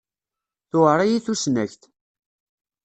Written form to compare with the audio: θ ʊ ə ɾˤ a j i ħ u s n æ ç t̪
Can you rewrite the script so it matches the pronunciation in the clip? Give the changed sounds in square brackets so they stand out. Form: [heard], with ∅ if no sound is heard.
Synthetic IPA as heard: θ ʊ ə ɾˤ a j i [θ] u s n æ ç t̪

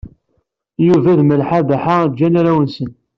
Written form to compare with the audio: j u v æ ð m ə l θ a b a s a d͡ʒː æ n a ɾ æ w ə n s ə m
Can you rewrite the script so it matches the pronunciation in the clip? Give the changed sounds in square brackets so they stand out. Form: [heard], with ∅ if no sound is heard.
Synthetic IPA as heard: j u v æ ð m ə l [ħ] a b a [ħ] a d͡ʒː æ n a ɾ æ w ə n s ə [n]

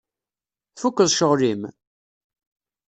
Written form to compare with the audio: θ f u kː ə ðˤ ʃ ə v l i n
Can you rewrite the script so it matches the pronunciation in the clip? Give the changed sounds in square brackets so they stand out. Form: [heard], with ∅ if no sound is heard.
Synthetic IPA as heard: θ f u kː ə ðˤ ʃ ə [ʁ] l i [m]

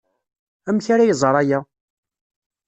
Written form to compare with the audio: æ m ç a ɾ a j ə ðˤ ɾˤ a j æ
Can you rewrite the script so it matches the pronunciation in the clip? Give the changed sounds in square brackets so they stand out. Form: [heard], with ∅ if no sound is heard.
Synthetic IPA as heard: æ m ç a ɾ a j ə [zˤ] ɾˤ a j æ

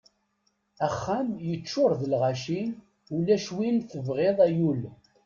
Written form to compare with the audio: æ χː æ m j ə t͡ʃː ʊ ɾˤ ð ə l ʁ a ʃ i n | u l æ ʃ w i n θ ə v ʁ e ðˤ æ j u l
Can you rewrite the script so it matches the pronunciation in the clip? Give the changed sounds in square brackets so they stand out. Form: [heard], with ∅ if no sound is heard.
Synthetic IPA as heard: æ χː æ m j ə t͡ʃː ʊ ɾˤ ð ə l ʁ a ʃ i n | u l æ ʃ w i n θ ə v ʁ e ðˤ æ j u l

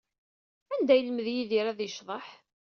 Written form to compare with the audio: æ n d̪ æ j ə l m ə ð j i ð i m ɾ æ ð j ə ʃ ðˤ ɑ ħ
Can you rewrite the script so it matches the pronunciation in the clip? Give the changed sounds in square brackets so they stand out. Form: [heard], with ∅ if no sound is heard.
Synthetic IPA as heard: æ n d̪ æ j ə l m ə ð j i ð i [∅] ɾ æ ð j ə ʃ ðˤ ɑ ħ

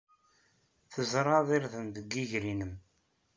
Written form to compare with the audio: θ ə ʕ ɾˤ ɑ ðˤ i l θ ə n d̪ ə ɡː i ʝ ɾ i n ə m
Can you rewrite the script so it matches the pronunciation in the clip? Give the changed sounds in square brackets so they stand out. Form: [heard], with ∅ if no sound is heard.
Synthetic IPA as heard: θ ə [z] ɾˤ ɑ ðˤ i [ɾ] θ ə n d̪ ə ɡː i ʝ ɾ i n ə m

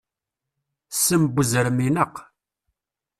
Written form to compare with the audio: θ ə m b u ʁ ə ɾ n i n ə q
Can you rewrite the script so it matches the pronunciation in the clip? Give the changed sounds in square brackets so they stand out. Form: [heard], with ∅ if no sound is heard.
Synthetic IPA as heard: [s] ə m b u [z] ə ɾ [m] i n ə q

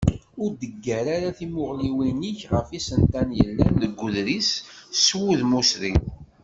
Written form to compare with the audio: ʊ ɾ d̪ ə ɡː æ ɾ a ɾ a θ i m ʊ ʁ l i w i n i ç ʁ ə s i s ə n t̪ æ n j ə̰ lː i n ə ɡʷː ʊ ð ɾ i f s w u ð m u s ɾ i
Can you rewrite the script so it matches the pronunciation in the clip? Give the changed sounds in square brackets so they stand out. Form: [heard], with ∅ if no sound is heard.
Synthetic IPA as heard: ʊ ɾ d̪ ə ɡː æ ɾ a ɾ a θ i m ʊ ʁ l i w i n i ç ʁ ə [f] i s ə n t̪ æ n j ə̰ lː [æ] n ə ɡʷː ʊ ð ɾ i [s] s w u ð m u s ɾ i

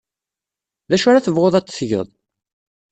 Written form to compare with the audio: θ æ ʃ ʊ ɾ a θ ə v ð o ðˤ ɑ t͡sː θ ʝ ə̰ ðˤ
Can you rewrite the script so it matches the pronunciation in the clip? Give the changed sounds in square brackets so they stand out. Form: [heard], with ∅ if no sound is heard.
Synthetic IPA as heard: [ð] æ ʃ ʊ ɾ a θ ə v [ʁ] o ðˤ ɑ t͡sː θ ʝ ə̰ ðˤ

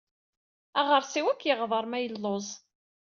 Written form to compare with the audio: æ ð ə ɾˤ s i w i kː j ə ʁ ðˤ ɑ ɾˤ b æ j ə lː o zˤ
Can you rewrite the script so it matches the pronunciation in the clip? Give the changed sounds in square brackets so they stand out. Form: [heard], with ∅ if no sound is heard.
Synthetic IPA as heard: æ [ʁ] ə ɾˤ s i w [æ] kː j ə ʁ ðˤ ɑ ɾˤ [m] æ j ə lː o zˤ

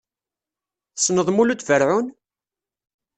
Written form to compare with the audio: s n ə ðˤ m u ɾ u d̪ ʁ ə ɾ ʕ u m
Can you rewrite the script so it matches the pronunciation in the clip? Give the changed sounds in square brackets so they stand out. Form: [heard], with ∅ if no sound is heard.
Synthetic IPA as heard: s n ə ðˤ m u [l] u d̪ [v] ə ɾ ʕ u [n]

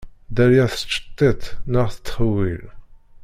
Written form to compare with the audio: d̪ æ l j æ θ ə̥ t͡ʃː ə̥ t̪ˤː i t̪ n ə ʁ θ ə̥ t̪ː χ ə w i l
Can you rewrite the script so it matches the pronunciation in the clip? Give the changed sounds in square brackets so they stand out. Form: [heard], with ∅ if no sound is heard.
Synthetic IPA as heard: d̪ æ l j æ θ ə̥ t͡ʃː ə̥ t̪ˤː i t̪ n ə ʁ θ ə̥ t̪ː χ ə w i l

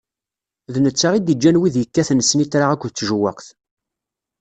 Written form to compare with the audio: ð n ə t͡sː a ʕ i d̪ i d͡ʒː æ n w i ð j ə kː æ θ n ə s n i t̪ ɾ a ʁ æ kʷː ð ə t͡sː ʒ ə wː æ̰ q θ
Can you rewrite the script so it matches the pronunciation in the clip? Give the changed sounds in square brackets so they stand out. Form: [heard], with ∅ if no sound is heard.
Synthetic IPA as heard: ð n ə t͡sː a [ʁ] i d̪ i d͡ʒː æ n w i ð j ə kː æ θ n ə s n i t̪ ɾ a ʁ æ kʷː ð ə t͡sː ʒ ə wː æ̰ q θ

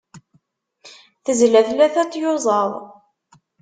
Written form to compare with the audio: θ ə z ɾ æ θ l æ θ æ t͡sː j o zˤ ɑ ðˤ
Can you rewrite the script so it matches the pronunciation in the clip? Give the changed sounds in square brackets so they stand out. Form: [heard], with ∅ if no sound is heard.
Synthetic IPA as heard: θ ə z [l] æ θ l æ θ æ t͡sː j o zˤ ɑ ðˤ

